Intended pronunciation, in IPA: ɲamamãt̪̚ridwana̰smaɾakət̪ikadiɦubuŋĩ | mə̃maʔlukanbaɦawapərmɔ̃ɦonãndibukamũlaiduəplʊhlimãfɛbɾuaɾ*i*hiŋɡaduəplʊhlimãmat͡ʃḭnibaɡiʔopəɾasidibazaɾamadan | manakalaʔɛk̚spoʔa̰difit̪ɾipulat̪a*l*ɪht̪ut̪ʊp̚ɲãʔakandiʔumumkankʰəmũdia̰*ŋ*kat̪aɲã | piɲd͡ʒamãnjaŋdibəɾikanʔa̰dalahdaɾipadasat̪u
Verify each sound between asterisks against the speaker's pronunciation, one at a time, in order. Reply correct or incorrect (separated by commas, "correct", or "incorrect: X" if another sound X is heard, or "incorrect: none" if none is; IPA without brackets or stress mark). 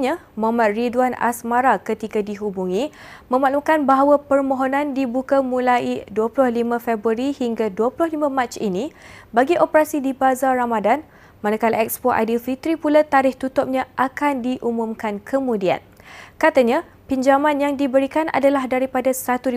correct, incorrect: ɾ, incorrect: n